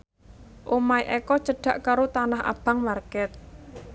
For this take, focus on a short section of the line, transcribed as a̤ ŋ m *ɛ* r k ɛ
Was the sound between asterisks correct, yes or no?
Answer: no